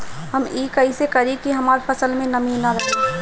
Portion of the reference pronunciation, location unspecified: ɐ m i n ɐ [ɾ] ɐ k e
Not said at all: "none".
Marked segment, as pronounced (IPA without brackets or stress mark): ɾ